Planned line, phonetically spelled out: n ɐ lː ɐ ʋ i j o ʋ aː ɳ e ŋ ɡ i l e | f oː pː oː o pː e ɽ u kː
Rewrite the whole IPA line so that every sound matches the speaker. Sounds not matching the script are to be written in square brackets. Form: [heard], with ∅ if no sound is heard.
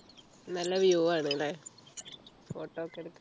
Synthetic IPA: n ɐ lː ɐ ʋ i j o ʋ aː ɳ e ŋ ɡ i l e | f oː [ʈː] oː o [kː] e ɽ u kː